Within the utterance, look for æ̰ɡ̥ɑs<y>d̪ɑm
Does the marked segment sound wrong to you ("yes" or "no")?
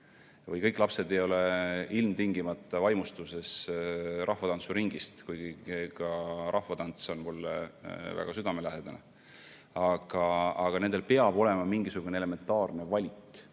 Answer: no